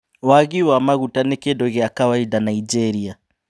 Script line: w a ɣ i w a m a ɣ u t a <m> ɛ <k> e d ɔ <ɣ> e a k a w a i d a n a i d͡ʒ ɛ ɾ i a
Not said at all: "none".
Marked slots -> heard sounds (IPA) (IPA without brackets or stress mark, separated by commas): n, k, ɣ